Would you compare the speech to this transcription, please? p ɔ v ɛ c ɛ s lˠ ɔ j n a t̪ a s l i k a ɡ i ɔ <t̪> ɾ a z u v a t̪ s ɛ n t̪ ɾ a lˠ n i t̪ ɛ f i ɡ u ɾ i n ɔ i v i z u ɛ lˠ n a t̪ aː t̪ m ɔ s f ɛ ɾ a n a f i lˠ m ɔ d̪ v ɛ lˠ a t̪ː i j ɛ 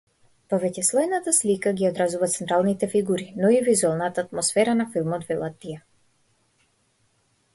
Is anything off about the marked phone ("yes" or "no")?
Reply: yes